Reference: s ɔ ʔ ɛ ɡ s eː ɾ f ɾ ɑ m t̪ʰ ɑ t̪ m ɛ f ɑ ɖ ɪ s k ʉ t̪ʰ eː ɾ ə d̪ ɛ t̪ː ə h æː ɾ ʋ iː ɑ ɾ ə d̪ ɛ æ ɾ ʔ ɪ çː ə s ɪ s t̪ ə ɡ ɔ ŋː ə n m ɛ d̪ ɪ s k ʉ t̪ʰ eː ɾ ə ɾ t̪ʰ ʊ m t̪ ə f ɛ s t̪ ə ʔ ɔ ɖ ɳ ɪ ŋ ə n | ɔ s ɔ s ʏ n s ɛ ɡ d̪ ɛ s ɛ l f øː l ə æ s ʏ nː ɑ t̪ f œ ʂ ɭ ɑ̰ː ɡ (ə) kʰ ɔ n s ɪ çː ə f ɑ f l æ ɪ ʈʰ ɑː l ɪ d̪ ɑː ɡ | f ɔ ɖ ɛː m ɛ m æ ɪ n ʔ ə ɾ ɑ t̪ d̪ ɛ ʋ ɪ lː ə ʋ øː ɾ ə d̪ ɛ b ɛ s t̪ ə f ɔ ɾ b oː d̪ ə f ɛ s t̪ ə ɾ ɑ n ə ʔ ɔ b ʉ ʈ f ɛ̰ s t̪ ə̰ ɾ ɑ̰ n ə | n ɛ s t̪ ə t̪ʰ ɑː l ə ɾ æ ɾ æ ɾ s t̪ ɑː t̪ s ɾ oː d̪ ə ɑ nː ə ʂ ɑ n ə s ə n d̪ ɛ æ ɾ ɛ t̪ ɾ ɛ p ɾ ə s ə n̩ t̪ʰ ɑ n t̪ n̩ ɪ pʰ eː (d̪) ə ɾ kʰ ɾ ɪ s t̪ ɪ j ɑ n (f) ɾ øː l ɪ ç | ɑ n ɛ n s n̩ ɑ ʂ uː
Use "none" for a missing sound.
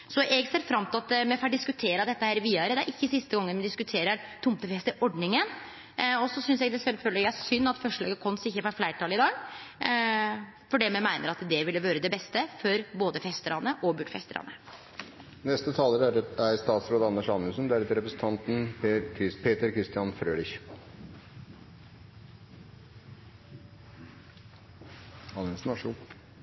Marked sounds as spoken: ə, t̪, f

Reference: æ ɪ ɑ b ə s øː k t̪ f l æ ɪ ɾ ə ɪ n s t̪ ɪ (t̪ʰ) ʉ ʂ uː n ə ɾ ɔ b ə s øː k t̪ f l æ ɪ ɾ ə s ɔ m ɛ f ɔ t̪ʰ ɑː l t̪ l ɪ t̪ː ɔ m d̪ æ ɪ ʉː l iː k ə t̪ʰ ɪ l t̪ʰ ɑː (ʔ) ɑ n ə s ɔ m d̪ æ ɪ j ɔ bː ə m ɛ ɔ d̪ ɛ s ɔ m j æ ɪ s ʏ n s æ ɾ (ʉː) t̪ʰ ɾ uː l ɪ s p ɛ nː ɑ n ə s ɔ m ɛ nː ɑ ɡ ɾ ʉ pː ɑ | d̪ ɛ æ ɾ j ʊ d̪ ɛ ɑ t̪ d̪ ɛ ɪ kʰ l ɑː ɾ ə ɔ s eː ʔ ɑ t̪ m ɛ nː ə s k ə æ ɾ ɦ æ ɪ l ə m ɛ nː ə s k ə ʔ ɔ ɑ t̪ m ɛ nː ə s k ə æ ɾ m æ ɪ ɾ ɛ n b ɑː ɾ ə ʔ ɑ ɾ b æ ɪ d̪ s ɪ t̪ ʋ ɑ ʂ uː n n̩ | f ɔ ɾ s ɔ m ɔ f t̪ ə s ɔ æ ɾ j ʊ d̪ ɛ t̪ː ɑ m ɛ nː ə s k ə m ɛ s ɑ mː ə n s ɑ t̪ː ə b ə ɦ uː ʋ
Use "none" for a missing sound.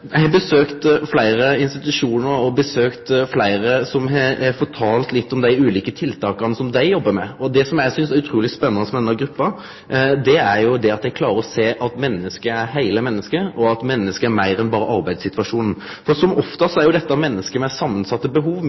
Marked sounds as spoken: t̪, k, ʉ

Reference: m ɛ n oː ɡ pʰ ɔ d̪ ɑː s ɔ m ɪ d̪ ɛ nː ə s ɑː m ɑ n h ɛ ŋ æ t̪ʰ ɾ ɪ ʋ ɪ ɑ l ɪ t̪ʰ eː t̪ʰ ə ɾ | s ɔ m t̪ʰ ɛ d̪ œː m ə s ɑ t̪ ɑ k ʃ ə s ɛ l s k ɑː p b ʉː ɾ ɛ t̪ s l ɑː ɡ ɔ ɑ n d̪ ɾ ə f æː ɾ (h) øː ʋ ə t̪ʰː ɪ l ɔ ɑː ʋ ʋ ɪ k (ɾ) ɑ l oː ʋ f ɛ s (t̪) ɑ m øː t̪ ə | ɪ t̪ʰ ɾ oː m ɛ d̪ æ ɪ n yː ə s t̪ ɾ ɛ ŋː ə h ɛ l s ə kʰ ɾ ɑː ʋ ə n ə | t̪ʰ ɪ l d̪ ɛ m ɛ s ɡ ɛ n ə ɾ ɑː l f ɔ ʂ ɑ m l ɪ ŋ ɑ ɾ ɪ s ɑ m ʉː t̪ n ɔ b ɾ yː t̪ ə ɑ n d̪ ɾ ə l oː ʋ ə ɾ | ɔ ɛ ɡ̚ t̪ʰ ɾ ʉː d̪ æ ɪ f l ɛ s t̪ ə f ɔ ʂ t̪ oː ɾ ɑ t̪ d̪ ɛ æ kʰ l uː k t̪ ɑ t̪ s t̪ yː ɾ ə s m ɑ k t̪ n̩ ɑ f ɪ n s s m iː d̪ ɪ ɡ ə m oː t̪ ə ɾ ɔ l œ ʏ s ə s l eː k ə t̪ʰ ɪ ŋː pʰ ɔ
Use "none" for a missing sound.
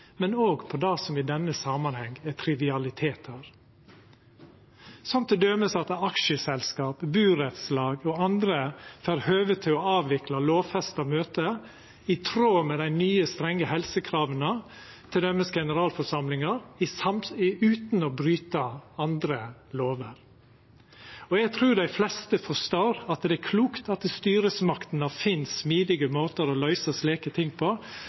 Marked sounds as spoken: h, l, t̪

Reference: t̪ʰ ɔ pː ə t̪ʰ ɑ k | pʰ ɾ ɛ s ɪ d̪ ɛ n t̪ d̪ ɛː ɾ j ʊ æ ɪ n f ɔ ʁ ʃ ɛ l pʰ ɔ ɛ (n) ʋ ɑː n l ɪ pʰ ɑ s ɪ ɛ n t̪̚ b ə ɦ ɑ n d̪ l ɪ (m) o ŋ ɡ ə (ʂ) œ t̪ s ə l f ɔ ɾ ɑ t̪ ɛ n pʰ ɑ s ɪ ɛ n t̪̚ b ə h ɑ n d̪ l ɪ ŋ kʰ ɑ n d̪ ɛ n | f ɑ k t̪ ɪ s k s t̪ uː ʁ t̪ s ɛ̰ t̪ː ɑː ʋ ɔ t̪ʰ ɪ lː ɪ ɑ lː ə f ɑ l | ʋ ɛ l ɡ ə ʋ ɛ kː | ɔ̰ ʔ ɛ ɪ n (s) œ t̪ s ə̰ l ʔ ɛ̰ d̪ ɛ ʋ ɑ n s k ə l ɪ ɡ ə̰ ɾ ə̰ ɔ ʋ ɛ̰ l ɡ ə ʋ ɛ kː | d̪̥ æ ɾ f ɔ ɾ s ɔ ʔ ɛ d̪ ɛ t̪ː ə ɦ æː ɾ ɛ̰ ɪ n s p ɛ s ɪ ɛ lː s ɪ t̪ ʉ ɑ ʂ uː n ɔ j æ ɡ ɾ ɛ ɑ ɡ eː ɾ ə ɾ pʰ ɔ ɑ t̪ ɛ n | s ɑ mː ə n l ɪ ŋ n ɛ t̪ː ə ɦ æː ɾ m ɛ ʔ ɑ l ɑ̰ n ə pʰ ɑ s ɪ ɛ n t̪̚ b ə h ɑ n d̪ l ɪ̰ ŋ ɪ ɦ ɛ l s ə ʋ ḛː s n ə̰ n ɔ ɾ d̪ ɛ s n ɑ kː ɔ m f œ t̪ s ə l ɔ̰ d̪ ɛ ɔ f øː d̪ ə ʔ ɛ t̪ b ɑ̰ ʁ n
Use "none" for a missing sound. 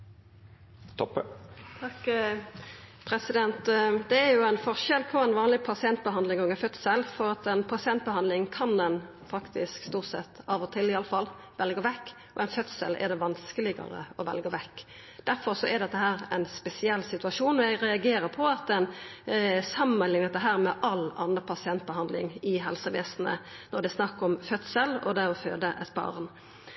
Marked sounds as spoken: n, ŋ, f, f

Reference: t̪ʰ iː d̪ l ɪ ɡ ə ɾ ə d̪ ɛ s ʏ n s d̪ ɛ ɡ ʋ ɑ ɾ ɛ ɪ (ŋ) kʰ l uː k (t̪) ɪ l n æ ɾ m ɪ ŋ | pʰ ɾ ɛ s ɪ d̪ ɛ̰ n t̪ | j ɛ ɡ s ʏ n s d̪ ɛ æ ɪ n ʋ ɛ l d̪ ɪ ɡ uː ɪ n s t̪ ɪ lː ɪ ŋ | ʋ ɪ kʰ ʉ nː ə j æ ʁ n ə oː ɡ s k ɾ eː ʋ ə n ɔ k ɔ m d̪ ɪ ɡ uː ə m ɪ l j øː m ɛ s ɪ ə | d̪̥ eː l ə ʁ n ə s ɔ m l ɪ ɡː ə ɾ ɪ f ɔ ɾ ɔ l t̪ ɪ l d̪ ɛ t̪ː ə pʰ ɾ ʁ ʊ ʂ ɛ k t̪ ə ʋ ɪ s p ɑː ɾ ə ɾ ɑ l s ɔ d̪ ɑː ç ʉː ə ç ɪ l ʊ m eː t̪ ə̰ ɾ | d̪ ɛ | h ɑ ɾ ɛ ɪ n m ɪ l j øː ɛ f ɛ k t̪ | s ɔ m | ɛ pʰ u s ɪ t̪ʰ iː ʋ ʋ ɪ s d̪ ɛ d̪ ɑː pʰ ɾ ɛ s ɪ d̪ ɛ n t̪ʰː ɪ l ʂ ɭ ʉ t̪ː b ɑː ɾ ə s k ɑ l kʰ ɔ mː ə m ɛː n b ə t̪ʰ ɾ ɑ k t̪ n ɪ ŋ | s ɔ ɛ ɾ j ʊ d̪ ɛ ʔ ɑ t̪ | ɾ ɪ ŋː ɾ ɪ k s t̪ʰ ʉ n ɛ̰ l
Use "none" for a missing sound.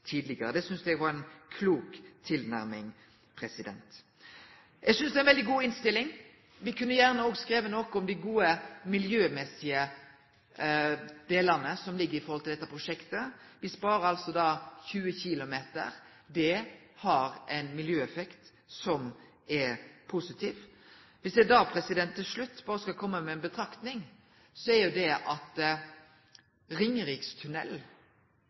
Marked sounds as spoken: n, t̪ʰ

